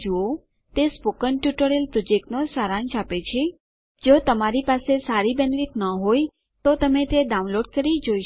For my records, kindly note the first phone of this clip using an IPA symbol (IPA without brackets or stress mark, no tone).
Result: d͡ʒ